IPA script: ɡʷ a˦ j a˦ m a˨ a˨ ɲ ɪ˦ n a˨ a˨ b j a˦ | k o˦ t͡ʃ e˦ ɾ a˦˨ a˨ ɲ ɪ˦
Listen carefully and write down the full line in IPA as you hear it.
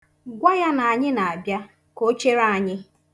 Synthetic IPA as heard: ɡʷ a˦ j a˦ n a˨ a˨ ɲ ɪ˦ n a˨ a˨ b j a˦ | k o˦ t͡ʃ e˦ ɾ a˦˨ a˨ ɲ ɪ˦